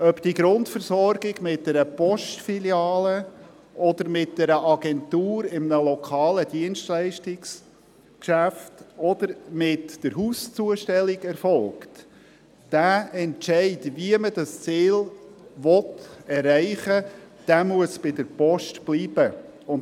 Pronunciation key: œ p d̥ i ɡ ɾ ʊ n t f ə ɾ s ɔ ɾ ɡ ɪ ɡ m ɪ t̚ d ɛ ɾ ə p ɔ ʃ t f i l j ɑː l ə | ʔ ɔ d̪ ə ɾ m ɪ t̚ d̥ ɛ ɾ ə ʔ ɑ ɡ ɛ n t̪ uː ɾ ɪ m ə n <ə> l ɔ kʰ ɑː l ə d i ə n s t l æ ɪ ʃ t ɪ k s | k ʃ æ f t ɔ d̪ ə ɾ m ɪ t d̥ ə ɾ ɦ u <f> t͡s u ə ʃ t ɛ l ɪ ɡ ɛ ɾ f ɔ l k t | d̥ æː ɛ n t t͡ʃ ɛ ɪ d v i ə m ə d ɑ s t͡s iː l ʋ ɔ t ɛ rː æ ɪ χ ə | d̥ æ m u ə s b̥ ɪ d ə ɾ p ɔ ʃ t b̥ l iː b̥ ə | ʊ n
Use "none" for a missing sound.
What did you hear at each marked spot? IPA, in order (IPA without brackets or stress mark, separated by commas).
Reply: ə, s